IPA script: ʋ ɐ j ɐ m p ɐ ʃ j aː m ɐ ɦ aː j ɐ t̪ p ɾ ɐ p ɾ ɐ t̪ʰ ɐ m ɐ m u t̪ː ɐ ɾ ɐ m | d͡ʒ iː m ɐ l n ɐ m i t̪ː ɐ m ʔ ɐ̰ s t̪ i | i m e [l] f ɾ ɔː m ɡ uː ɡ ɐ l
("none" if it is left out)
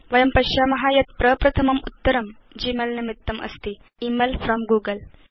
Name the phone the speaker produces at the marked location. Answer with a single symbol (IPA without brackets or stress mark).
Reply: l